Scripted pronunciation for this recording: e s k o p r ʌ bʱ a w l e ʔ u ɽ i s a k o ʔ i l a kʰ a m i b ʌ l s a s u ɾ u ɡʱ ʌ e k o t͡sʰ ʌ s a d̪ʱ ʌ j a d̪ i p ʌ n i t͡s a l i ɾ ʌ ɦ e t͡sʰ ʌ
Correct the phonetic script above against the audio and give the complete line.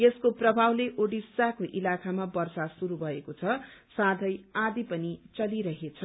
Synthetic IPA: e s k o p r ʌ bʱ a w l e ʔ o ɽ i s a k o ʔ i l a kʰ a m a b ʌ r s a s u ɾ u bʱ ʌ e k o t͡sʰ ʌ s a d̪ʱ ʌ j a d̪ i p ʌ n i t͡s ʌ l i ɾ ʌ ɦ e t͡sʰ ʌ